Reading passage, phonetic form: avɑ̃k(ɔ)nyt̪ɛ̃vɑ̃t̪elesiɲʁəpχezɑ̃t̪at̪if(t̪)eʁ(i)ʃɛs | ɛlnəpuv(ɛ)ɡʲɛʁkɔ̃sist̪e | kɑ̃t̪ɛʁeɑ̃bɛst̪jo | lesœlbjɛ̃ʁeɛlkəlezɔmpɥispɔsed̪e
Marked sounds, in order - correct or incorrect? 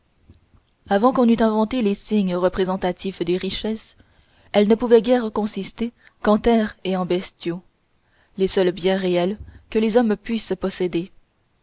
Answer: incorrect: ɔ̃, incorrect: d̪, correct, correct

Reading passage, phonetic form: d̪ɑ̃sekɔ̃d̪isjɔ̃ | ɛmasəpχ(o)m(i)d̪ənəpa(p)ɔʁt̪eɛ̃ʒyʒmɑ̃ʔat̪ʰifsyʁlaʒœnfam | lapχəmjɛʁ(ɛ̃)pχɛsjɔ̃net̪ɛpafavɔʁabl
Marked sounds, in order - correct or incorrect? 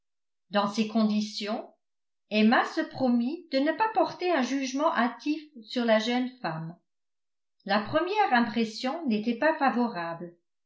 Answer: incorrect: ɔ, correct, correct, correct

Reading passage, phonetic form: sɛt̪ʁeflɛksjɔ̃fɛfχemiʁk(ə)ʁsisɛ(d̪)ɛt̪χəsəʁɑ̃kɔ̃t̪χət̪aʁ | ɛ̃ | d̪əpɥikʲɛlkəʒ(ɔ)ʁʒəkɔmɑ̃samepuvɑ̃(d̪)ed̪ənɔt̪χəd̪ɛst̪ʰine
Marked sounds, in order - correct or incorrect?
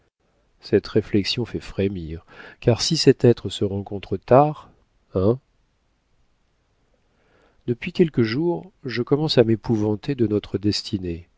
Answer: incorrect: a, incorrect: t̪, incorrect: u, incorrect: t̪

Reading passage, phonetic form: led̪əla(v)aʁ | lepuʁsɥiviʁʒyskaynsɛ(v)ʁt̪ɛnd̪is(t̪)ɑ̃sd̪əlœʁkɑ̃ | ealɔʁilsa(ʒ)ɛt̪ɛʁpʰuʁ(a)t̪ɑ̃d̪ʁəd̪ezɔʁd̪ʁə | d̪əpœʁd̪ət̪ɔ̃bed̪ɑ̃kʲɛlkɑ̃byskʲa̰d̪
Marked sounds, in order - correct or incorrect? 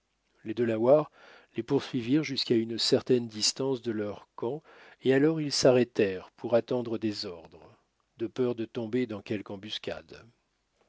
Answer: incorrect: w, incorrect: none, correct, incorrect: ʁ, correct

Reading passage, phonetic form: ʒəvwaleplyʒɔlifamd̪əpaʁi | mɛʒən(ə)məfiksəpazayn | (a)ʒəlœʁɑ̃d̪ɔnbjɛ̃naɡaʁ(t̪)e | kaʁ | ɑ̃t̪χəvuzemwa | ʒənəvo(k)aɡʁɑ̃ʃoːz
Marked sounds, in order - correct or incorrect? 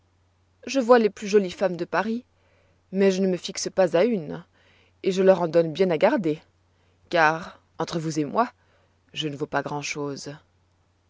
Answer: correct, incorrect: e, incorrect: d̪, incorrect: p

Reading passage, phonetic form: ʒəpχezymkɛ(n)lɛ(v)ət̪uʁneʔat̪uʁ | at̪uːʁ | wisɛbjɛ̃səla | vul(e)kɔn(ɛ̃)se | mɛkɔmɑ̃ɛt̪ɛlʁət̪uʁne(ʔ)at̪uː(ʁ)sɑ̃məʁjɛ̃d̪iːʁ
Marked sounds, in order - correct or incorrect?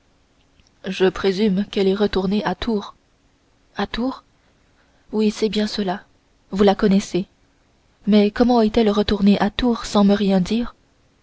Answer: incorrect: none, incorrect: ʁ, incorrect: a, incorrect: ɛ, correct, correct

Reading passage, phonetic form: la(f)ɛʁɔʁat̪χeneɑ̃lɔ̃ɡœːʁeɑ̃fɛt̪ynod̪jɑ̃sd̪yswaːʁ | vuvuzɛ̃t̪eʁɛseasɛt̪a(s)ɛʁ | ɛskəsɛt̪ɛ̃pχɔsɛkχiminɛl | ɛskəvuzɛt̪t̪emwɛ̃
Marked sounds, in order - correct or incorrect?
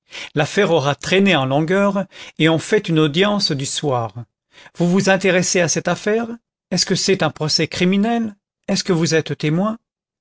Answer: correct, incorrect: f

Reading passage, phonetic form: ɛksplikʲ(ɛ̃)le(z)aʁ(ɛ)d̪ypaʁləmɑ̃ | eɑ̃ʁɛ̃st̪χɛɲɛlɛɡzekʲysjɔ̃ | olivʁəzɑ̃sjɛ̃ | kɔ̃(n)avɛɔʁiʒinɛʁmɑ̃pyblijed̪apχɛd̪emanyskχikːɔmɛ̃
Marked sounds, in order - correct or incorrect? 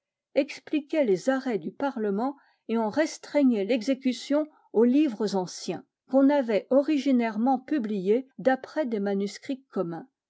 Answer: incorrect: ɛ, correct, correct, correct

